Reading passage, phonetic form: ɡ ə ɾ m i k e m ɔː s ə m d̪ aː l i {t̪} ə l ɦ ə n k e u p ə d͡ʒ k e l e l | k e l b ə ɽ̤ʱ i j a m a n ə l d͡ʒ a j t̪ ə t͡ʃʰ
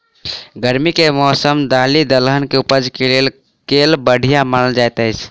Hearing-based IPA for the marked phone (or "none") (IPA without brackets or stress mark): d̪